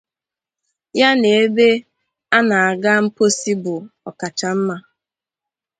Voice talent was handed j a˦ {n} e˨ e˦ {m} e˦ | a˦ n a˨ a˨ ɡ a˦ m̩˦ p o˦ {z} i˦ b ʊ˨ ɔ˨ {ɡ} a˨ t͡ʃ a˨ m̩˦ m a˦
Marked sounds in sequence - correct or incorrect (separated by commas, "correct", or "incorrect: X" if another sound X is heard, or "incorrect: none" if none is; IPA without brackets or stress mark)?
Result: correct, incorrect: b, incorrect: s, incorrect: k